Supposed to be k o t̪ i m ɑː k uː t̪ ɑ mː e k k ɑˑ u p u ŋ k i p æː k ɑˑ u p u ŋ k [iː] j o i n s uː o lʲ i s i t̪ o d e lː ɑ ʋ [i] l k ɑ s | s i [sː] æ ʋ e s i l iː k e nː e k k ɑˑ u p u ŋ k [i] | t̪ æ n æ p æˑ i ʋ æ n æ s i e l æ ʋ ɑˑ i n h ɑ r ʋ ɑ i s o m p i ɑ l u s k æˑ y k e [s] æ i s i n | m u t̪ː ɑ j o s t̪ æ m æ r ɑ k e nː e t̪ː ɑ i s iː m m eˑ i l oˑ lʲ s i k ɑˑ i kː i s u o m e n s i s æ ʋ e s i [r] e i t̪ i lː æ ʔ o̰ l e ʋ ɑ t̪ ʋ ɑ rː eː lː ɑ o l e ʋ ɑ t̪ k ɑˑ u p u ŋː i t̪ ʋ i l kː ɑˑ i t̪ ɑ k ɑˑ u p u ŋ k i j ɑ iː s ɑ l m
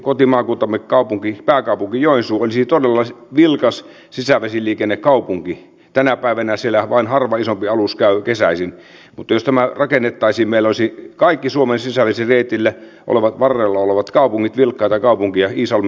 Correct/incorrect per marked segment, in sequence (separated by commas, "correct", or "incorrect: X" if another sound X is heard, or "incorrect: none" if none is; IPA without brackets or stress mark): incorrect: i, correct, incorrect: s, correct, correct, correct